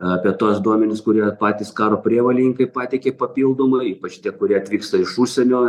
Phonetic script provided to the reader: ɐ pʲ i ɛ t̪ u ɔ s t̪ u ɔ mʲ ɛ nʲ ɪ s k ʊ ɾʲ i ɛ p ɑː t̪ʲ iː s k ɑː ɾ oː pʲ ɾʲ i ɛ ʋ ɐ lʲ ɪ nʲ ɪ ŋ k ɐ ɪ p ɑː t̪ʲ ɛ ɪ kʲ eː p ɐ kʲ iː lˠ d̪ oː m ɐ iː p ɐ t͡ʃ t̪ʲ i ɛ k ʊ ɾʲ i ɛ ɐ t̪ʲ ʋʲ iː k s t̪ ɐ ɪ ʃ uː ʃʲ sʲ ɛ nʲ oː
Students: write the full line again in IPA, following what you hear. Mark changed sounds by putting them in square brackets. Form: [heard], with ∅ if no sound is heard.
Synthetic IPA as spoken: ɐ pʲ i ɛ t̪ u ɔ s [d̪] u ɔ mʲ ɛ nʲ ɪ s k ʊ ɾʲ i ɛ p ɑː t̪ʲ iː s k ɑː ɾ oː pʲ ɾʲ i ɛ ʋ ɐ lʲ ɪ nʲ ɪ ŋ k ɐ ɪ p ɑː t̪ʲ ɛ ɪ kʲ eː p ɐ [pʲ] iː lˠ d̪ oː m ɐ iː p ɐ t͡ʃ t̪ʲ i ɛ k ʊ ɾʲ i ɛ ɐ t̪ʲ ʋʲ iː k s t̪ ɐ ɪ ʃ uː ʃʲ sʲ ɛ nʲ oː